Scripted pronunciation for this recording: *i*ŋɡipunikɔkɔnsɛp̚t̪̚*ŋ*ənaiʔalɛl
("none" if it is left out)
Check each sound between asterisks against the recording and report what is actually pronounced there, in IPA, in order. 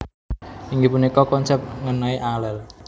i, ŋ

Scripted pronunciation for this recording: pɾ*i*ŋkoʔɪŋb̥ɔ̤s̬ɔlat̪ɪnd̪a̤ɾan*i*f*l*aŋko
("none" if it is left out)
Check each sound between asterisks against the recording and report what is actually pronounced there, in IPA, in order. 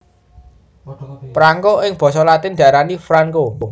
a, i, ɾ

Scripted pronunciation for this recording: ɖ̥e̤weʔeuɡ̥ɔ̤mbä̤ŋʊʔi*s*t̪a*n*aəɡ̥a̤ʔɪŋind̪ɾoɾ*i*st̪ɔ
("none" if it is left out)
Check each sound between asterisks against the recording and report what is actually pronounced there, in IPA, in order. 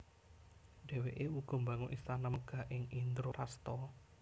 s, n, a

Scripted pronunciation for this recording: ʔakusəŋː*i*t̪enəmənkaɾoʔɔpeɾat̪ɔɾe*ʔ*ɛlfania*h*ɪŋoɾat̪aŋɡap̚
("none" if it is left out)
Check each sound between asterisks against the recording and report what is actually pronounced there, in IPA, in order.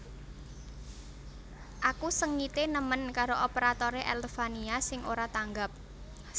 i, ʔ, s

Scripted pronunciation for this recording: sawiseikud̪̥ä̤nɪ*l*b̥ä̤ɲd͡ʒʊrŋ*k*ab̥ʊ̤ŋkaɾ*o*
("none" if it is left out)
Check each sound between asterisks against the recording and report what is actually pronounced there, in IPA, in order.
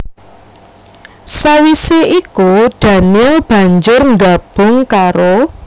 l, ɡ, o

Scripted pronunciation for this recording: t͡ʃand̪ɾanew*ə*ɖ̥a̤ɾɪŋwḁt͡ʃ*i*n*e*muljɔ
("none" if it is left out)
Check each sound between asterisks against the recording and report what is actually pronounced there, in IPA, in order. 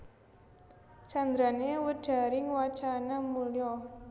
ə, a, a

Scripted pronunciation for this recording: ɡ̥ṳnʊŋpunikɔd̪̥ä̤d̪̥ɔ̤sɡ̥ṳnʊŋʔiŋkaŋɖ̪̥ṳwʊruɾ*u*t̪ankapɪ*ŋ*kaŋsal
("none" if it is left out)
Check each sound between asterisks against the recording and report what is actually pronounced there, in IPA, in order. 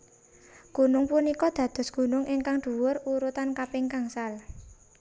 u, ŋ

